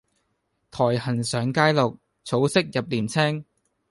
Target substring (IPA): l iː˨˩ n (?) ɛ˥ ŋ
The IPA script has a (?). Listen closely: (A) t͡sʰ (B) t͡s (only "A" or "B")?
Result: A